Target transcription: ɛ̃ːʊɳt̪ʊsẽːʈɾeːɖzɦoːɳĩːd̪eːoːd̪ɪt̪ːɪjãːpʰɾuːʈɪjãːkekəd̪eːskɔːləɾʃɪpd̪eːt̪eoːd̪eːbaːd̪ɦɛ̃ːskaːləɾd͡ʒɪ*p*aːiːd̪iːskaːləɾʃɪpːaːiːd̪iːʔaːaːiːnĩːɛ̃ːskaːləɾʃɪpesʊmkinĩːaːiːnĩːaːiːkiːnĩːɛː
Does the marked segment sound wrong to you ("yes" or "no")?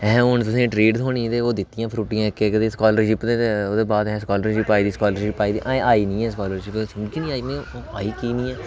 no